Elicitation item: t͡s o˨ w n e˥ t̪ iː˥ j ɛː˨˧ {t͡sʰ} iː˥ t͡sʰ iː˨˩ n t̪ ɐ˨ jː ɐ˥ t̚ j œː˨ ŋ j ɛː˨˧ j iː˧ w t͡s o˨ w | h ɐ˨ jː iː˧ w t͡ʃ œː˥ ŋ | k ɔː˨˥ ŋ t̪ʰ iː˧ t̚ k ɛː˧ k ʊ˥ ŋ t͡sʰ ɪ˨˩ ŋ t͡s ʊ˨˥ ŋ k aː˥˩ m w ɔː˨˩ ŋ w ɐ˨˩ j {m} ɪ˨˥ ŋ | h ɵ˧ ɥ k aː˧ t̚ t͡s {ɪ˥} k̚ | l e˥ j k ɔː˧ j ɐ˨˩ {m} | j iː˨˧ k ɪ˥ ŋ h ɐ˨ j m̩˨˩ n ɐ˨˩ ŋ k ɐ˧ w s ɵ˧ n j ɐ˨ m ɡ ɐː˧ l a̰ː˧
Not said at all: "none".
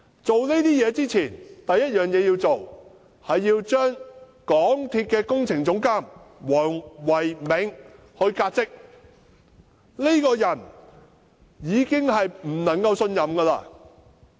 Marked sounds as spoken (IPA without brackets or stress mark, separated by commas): t͡s, m, ɪ˥, n